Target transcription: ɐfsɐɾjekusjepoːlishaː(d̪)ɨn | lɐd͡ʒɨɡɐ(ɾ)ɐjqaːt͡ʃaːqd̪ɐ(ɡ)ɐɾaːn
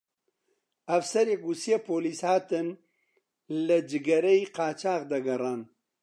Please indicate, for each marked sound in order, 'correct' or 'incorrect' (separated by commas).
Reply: incorrect, correct, correct